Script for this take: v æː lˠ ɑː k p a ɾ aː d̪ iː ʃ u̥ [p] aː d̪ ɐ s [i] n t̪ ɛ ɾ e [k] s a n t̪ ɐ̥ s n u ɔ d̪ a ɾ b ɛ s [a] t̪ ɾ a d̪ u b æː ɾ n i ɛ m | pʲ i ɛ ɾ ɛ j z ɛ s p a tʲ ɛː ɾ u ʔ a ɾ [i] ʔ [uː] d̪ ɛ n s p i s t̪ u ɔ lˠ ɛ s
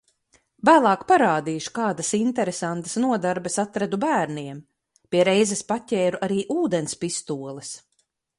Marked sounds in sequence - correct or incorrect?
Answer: incorrect: k, correct, incorrect: none, correct, incorrect: iː, correct

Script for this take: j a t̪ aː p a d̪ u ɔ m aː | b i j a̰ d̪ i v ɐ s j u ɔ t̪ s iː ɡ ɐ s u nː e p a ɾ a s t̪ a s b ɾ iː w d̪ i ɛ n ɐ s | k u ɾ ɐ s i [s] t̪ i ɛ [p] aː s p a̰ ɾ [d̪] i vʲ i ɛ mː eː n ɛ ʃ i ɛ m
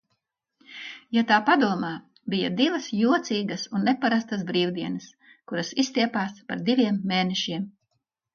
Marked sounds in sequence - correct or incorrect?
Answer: correct, correct, correct

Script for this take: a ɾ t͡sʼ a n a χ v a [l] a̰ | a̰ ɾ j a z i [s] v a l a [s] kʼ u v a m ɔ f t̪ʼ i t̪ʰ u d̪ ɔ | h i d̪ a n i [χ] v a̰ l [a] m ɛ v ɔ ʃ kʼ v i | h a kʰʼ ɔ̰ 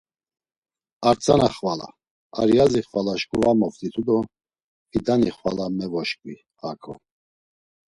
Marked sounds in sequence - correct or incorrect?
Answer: correct, incorrect: χ, incorrect: ʃ, correct, correct

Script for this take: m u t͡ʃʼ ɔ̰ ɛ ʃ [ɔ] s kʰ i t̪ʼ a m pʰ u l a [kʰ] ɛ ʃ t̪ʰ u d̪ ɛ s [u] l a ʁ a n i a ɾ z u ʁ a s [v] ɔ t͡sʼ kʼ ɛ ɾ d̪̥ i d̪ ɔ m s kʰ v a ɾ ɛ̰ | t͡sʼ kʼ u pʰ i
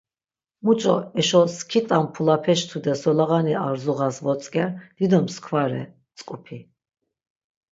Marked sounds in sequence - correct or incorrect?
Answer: correct, incorrect: pʰ, incorrect: ɔ, correct

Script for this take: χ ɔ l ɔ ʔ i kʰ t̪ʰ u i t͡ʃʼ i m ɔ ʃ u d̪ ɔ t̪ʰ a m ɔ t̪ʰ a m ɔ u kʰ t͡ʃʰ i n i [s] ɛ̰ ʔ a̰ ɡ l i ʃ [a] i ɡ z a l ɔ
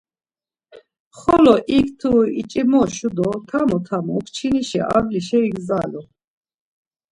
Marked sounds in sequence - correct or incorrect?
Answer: incorrect: ʃ, incorrect: ɛ

